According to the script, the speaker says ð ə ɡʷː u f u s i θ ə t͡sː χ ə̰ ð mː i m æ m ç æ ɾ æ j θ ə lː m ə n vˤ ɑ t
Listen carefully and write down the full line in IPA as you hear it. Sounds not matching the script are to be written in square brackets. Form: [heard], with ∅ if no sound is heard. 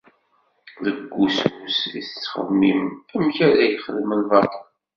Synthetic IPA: ð ə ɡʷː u [s] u s i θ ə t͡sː χ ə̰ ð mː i m æ m ç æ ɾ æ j [χ] ə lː m ə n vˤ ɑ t